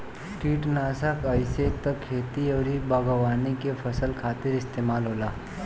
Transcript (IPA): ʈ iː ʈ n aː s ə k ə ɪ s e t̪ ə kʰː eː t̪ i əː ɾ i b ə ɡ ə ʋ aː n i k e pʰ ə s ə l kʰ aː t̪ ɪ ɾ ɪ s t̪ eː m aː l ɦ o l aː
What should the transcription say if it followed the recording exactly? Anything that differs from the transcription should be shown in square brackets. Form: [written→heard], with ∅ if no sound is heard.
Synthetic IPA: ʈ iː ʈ n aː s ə k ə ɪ s e t̪ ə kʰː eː t̪ i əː ɾ i b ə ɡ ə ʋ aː n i k e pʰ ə s ə l kʰ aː t̪ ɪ ɾ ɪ s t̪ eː m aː l ɦ o l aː